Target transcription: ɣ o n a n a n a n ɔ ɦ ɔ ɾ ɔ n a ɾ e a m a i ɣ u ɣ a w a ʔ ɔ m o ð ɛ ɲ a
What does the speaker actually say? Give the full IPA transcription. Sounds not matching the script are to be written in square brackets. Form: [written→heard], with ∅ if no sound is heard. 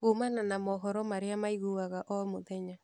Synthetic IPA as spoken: ɣ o [n→m] a n a n a [n→m] ɔ ɦ ɔ ɾ ɔ [n→m] a ɾ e a m a i ɣ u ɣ a [w→ɣ] a ʔ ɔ m o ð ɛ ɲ a